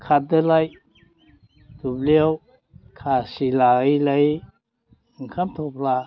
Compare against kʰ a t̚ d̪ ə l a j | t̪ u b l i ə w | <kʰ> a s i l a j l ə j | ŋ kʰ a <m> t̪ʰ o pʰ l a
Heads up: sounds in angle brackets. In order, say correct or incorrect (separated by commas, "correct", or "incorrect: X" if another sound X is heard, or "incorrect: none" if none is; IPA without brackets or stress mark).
correct, correct